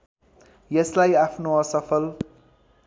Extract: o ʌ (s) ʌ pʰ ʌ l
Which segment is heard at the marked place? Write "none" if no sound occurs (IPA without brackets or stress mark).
s